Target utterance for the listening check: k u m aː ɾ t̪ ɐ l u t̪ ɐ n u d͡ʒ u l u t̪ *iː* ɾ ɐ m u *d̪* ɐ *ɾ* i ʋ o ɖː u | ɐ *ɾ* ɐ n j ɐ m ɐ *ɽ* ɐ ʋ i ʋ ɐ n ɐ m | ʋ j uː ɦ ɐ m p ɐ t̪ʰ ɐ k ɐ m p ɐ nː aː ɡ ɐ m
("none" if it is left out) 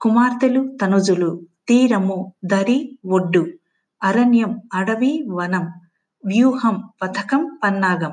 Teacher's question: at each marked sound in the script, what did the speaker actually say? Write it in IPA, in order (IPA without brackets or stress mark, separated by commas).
iː, d̪, ɾ, ɾ, ɽ